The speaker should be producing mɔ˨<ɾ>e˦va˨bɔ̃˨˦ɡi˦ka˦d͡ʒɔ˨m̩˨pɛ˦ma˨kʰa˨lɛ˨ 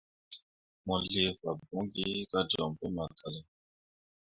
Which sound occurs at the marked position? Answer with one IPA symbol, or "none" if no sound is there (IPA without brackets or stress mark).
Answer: l